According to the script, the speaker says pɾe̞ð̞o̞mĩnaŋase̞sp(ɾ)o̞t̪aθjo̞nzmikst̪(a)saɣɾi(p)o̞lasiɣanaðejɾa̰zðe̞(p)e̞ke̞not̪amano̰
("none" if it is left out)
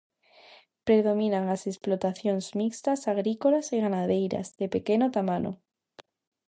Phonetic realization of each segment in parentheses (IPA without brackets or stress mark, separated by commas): l, a, k, p